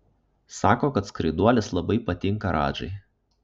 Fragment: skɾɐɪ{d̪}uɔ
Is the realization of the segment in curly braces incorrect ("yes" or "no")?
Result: no